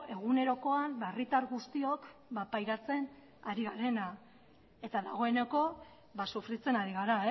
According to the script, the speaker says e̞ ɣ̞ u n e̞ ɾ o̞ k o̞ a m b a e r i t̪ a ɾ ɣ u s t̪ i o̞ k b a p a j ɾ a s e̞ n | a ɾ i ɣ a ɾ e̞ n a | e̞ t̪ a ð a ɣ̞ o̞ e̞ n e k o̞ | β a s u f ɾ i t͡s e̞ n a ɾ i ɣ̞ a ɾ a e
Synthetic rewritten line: e̞ ɣ̞ u n e̞ ɾ o̞ k o̞ a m b a e r i t̪ a ɾ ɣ u s t̪ i o̞ k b a p a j ɾ a t͡s e̞ n | a ɾ i ɣ a ɾ e̞ n a | e̞ t̪ a ð a ɣ̞ o̞ e̞ n e k o̞ | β a s u f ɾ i t͡s e̞ n a ɾ i ɣ̞ a ɾ a e